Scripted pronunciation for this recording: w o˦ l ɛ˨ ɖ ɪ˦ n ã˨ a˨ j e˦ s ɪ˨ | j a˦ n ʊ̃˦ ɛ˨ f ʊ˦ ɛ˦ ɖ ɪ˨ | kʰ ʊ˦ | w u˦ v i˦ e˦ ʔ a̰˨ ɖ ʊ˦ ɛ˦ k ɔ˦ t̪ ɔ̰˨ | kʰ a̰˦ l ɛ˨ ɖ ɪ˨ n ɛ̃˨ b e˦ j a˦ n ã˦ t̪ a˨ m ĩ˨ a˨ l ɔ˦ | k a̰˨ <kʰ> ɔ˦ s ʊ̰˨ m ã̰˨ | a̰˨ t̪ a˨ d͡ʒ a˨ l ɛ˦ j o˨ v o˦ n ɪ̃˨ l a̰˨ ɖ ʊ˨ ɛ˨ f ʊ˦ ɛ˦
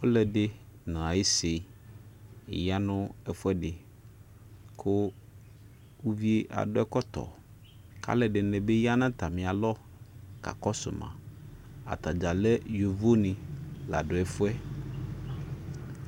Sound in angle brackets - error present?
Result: yes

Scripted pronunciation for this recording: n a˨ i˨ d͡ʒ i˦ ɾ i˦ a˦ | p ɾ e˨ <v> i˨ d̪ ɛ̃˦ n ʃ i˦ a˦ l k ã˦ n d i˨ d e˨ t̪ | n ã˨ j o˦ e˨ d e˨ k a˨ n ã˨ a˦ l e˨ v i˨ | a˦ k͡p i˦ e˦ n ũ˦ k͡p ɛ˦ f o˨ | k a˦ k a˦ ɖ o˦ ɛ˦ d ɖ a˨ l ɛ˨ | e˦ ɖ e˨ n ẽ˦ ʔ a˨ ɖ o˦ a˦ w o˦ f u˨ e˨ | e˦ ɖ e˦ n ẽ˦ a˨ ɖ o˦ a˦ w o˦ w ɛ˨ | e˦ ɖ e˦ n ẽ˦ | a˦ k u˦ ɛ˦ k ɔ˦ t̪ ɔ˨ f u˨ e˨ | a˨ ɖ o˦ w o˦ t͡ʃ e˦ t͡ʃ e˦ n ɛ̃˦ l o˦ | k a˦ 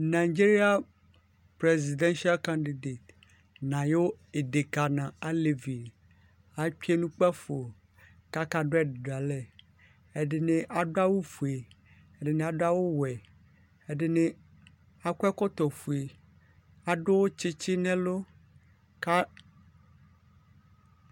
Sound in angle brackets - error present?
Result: yes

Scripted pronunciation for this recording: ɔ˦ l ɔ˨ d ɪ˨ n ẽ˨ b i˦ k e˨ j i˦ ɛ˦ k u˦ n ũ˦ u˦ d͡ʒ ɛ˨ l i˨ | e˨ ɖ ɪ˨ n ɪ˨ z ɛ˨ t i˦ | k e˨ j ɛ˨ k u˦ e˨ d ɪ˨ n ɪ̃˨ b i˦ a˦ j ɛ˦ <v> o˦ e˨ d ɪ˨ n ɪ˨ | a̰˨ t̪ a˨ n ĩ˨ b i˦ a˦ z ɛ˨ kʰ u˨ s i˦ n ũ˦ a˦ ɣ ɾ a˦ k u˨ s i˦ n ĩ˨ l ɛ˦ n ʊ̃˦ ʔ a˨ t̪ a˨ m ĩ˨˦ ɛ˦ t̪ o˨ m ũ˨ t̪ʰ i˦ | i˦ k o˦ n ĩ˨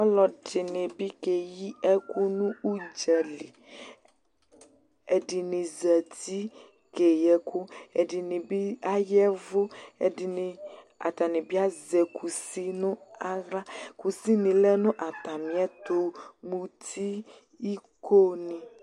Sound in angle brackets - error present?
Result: no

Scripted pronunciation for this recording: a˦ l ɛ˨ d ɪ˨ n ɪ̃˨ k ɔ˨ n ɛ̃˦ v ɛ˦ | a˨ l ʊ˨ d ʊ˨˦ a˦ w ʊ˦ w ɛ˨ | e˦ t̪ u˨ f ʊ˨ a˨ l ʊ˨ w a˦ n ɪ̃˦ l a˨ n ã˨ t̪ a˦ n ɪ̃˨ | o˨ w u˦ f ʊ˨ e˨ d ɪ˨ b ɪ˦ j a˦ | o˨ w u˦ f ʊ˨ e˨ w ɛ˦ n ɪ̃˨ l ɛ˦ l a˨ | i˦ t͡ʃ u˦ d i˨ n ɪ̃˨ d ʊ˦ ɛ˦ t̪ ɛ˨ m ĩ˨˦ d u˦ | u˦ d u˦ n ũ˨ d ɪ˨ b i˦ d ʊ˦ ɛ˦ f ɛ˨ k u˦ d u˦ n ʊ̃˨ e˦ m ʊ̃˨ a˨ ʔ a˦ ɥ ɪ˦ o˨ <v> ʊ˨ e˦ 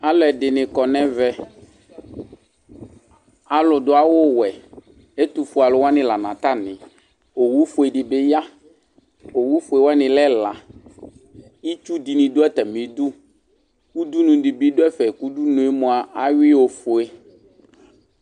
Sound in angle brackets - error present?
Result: yes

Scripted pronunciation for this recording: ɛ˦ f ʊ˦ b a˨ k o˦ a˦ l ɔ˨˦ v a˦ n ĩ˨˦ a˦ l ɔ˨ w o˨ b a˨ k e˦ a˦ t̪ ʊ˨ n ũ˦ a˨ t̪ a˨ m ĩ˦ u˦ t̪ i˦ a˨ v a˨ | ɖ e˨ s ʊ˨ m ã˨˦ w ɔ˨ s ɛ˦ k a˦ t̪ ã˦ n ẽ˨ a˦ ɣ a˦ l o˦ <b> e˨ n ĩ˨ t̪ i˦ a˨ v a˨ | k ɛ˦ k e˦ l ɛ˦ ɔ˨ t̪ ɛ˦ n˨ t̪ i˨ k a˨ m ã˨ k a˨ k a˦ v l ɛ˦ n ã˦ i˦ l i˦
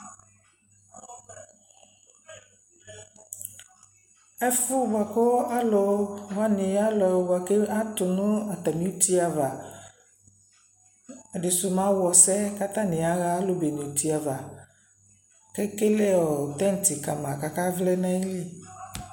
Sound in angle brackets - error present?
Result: no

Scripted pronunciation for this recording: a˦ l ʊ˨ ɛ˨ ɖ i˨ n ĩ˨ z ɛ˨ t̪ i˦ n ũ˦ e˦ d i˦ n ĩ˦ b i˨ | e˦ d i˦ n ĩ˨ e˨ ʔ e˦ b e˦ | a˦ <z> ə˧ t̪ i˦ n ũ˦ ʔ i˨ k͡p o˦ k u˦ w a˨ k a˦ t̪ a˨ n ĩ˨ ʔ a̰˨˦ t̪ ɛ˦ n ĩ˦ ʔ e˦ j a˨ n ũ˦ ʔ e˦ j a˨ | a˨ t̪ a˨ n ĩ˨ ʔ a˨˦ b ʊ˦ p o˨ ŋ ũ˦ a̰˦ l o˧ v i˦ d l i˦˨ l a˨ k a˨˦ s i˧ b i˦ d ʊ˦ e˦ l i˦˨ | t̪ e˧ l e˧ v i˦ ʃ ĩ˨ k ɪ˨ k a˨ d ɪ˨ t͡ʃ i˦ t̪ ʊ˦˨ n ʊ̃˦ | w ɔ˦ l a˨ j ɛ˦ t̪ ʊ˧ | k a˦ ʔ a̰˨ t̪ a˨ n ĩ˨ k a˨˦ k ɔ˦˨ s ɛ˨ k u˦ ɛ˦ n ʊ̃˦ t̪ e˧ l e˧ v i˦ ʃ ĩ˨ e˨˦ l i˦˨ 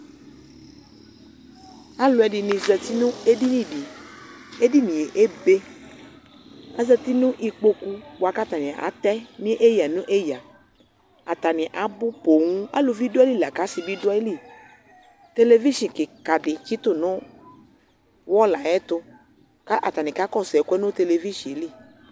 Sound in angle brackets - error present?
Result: no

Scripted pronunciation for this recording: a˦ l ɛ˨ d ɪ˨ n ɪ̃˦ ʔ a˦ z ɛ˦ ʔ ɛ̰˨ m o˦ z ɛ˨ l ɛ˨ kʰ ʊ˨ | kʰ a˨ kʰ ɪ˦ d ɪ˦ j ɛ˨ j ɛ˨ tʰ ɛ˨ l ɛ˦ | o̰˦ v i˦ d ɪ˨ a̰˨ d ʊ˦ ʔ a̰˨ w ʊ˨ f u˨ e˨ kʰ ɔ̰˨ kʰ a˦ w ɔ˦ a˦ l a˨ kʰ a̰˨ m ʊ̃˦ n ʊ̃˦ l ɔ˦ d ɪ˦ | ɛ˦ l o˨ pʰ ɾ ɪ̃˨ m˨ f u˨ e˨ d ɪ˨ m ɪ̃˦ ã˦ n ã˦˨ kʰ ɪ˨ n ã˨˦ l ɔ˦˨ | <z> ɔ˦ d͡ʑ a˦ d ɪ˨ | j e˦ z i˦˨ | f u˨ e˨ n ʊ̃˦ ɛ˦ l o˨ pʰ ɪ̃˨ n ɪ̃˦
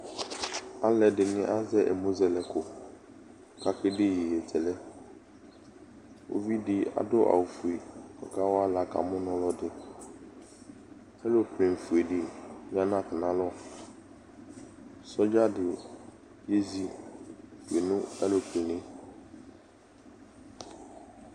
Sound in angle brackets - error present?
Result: yes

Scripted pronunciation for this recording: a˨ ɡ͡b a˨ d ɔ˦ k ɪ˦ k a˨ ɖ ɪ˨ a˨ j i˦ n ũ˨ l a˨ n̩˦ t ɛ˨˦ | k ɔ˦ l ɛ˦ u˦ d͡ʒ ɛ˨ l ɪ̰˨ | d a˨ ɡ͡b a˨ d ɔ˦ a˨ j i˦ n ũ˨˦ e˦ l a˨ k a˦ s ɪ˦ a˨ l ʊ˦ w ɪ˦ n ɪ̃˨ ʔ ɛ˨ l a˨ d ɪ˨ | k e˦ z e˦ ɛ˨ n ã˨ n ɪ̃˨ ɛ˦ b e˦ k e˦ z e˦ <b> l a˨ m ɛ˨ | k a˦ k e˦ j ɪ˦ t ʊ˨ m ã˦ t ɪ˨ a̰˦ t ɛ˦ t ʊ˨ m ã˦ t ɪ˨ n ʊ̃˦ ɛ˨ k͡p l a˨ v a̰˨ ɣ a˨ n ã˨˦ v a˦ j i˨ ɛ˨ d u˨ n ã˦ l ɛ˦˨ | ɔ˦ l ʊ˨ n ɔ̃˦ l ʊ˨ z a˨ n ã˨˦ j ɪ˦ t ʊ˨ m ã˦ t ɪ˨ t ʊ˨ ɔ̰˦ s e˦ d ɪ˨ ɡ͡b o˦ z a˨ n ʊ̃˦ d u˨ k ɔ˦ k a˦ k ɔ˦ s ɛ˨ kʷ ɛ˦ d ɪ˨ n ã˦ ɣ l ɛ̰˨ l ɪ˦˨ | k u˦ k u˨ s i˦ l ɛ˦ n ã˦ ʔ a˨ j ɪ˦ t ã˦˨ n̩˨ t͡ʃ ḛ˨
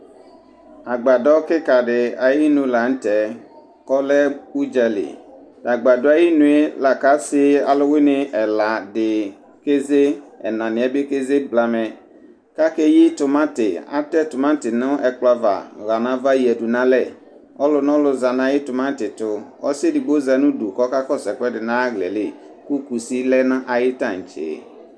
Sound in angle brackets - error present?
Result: no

